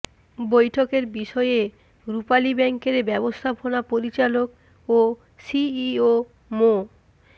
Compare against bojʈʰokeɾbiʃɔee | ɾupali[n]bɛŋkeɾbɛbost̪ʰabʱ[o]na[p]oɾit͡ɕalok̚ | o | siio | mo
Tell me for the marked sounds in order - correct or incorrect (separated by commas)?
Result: incorrect, correct, correct